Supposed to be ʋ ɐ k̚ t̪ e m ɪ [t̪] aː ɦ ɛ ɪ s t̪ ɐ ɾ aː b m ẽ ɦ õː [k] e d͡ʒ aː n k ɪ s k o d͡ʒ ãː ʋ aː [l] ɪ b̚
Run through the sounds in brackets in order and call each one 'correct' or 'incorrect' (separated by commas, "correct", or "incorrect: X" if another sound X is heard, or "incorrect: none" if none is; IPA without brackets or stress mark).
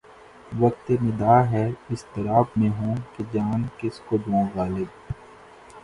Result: incorrect: d̪, correct, correct